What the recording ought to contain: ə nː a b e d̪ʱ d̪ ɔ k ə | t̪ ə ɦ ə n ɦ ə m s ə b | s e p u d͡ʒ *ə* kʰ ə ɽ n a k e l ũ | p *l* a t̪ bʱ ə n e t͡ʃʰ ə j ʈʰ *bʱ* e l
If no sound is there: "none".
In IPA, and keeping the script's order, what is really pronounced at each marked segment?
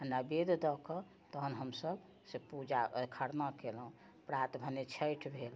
a, ɾ, bʱ

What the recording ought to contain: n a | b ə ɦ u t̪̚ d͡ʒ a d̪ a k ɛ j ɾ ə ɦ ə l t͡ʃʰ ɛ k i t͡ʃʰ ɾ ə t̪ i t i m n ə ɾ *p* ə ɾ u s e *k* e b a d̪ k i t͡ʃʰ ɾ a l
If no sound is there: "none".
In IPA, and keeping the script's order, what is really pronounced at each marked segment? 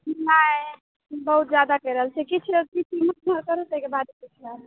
k, k

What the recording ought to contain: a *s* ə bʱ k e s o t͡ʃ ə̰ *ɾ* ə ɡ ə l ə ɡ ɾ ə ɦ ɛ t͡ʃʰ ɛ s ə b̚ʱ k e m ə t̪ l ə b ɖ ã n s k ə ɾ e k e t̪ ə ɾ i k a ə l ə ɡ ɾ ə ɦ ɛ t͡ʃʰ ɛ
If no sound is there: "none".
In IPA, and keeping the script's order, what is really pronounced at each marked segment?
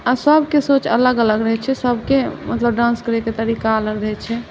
s, l

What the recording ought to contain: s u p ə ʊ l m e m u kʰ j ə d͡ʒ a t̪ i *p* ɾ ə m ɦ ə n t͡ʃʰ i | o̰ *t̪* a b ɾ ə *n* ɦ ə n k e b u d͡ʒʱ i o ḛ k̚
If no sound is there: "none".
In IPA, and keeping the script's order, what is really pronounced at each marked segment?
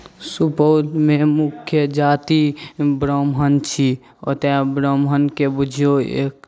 b, t̪, m

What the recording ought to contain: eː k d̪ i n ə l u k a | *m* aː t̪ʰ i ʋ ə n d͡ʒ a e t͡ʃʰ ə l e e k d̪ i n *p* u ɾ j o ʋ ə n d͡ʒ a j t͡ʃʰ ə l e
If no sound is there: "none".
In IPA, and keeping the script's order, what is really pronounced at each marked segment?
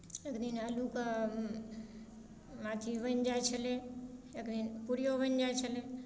m, p

